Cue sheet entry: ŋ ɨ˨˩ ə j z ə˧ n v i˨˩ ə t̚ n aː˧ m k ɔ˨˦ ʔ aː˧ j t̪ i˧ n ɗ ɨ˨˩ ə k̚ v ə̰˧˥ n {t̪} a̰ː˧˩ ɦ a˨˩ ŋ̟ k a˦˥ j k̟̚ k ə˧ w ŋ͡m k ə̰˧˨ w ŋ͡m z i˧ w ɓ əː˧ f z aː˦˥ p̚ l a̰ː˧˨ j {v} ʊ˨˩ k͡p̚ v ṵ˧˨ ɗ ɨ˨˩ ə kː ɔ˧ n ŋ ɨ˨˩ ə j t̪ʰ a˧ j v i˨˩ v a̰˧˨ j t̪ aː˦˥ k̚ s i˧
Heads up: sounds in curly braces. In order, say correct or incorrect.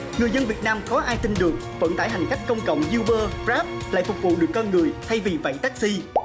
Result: correct, incorrect: f

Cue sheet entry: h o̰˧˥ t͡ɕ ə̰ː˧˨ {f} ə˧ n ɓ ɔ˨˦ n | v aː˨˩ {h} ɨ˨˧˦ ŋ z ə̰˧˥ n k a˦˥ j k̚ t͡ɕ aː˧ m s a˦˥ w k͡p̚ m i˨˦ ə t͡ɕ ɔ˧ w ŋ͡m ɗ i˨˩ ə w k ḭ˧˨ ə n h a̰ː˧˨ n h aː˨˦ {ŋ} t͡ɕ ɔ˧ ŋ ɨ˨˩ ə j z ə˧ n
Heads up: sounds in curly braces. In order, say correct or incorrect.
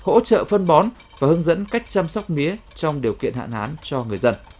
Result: correct, correct, incorrect: n

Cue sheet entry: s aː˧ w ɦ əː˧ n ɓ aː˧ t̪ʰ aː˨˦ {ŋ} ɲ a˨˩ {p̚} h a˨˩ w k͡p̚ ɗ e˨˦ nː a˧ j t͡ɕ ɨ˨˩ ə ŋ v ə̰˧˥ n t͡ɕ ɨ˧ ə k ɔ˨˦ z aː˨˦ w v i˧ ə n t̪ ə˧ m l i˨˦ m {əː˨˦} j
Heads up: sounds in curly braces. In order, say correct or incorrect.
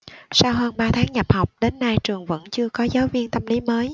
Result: correct, correct, correct

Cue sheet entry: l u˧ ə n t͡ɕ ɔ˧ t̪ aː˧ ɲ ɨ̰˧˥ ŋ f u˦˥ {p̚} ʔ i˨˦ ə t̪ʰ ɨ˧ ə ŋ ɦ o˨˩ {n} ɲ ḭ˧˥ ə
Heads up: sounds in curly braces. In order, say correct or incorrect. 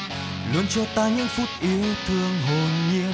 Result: incorrect: t̚, correct

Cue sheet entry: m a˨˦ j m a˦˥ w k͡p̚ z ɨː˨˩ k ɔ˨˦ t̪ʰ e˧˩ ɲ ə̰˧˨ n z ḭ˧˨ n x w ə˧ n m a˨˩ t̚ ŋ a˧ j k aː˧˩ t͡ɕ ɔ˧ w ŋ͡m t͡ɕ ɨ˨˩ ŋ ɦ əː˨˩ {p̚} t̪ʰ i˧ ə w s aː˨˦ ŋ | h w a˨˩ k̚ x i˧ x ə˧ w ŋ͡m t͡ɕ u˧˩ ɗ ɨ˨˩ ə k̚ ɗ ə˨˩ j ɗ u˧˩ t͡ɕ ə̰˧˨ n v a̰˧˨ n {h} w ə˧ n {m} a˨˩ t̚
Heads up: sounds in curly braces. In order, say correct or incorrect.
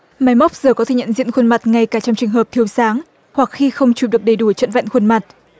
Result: correct, incorrect: x, correct

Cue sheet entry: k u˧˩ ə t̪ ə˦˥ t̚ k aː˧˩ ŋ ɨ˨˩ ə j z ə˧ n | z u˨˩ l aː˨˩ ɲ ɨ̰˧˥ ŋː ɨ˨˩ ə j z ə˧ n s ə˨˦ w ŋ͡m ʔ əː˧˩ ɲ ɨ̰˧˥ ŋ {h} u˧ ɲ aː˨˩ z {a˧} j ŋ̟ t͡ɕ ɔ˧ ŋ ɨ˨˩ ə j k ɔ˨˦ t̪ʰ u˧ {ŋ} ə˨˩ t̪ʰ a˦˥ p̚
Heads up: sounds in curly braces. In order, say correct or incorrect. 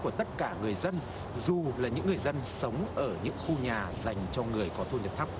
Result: incorrect: x, incorrect: a˨˩, incorrect: ɲ

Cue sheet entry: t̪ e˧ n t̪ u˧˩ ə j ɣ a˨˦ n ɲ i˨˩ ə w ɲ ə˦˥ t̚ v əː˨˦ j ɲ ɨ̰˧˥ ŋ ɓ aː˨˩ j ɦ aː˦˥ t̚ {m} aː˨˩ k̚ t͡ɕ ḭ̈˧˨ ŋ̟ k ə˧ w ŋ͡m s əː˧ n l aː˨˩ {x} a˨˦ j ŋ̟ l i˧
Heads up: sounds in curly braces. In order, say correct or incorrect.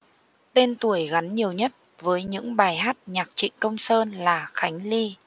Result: incorrect: ɲ, correct

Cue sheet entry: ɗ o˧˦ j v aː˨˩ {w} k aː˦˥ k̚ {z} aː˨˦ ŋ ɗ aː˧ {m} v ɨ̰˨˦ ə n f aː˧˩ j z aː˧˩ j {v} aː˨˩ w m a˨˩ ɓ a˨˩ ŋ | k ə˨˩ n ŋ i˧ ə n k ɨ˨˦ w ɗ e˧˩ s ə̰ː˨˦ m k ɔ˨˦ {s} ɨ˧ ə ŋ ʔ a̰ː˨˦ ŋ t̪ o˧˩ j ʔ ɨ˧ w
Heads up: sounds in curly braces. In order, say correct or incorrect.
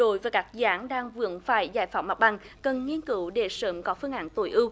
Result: incorrect: none, correct, incorrect: ŋ, incorrect: f, incorrect: f

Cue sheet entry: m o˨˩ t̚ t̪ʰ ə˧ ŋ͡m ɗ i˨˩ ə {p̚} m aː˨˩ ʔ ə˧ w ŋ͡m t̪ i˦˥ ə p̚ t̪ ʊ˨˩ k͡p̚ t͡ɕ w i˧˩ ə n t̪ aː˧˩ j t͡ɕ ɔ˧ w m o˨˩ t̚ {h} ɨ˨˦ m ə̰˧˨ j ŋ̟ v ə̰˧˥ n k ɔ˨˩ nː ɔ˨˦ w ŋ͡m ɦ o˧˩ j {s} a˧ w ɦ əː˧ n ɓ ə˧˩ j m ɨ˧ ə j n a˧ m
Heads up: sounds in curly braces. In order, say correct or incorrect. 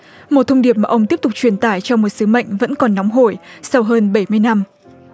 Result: correct, incorrect: s, correct

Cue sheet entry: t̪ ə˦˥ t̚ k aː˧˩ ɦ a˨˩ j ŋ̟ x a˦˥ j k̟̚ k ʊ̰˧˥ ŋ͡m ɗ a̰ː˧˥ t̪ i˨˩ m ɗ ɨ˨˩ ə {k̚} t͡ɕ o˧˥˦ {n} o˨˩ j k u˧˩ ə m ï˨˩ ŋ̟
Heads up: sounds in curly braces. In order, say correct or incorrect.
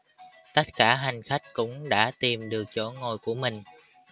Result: correct, incorrect: ŋ

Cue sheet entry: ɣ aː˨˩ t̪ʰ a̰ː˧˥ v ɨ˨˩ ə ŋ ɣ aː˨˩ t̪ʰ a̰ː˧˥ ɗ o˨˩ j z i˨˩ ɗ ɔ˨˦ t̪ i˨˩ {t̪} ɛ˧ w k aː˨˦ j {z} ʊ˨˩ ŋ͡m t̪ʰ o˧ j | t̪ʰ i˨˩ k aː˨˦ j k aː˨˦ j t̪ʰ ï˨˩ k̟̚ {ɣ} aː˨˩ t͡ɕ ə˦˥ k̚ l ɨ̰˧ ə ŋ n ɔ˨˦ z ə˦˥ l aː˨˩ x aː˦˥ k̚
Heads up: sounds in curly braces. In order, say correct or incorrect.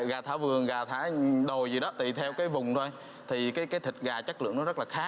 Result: incorrect: t̪ʰ, incorrect: v, correct

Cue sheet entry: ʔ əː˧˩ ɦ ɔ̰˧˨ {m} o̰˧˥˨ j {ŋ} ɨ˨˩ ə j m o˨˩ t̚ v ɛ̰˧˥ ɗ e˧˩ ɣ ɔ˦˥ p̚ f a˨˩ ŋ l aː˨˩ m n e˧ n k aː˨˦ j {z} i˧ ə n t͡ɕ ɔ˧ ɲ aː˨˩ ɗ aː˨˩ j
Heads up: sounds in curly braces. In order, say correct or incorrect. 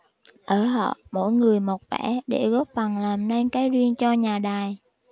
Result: correct, correct, correct

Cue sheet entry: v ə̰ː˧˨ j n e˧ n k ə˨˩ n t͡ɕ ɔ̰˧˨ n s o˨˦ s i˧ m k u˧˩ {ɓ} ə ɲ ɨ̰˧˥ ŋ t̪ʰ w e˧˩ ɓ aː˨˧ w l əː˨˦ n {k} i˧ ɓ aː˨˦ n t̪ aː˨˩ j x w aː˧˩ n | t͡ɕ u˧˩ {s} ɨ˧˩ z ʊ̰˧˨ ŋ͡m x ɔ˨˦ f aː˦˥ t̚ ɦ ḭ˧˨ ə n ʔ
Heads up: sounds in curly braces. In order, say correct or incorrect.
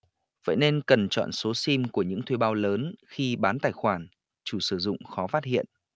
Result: incorrect: none, incorrect: x, correct

